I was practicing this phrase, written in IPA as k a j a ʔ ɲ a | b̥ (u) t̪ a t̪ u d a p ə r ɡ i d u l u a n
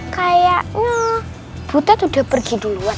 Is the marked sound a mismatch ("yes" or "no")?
no